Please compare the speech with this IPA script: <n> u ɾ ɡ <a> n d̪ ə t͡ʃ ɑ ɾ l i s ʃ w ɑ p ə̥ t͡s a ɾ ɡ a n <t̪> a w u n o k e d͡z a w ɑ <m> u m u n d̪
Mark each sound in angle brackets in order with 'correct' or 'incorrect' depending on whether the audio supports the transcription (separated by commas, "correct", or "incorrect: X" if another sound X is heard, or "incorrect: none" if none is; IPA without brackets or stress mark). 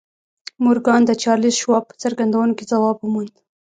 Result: incorrect: m, incorrect: ɑ, incorrect: d̪, incorrect: b